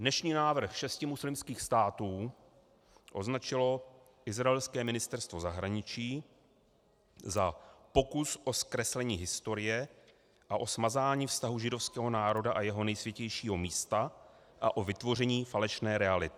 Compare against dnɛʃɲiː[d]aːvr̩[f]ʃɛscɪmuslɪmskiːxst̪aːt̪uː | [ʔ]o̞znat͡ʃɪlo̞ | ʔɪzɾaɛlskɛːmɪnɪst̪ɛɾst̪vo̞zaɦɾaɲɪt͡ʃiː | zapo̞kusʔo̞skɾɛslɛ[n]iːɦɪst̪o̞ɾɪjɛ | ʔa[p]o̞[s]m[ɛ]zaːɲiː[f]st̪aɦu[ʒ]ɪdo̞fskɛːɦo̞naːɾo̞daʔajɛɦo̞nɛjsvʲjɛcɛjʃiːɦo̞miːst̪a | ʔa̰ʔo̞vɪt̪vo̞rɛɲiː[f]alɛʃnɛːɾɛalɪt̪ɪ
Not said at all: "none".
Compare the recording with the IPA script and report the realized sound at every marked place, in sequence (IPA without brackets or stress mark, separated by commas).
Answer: n, x, ʔ, ɲ, ʔ, s, a, f, ʒ, f